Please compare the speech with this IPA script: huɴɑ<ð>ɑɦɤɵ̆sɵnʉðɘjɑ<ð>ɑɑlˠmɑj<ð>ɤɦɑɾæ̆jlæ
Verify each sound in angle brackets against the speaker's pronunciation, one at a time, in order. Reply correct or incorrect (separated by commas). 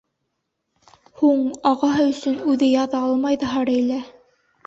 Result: incorrect, correct, correct